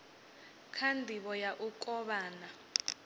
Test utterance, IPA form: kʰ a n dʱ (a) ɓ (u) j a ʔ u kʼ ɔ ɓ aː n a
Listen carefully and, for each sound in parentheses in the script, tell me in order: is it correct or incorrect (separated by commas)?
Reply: incorrect, incorrect